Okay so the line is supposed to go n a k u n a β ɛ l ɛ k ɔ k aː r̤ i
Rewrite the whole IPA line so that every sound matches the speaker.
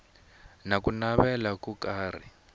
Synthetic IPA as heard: n a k u n a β ɛ l a k u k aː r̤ i